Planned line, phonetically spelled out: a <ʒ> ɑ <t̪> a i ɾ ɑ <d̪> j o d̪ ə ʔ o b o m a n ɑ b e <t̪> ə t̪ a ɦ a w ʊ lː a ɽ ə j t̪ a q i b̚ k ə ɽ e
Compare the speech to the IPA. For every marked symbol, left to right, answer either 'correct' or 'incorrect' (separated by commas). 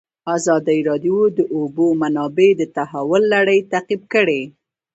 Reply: incorrect, incorrect, correct, incorrect